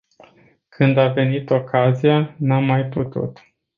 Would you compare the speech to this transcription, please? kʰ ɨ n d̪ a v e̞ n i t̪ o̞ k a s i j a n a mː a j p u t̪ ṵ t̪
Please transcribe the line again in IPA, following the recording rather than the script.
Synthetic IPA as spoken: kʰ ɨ n d̪ a v e̞ n i t̪ o̞ k a z i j a n a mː a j p u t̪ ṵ t̪